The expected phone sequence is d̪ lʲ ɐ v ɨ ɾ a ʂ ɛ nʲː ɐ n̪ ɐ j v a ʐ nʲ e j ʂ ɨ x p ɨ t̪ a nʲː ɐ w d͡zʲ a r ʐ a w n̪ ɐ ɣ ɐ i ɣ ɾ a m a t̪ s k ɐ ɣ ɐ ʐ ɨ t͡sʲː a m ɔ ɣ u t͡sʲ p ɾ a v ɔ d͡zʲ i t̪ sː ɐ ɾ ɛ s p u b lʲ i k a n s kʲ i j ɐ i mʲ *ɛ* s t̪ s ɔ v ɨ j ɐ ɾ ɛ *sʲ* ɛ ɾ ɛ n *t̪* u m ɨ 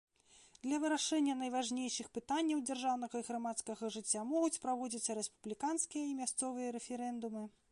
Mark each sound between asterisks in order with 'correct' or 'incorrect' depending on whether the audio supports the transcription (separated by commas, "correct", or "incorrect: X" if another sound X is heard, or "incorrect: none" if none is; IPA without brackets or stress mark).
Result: incorrect: a, incorrect: fʲ, incorrect: d̪